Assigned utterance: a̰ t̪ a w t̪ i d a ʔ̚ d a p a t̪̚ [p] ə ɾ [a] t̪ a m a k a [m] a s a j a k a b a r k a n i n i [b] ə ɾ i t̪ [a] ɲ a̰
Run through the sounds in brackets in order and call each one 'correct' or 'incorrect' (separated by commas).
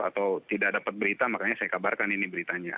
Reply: incorrect, incorrect, incorrect, correct, correct